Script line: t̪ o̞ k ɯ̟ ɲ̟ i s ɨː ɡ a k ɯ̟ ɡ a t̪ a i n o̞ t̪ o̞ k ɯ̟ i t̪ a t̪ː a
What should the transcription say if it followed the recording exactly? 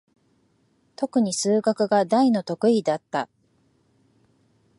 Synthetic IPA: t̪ o̞ k ɯ̟ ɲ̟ i s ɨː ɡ a k ɯ̟ ɡ a d̪ a i n o̞ t̪ o̞ k ɯ̟ i d̪ a t̪ː a